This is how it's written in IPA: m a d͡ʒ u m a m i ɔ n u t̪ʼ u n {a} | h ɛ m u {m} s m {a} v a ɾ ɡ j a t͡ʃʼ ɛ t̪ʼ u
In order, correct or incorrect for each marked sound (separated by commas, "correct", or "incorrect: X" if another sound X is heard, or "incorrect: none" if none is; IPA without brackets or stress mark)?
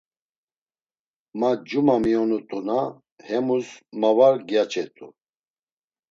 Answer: correct, incorrect: none, correct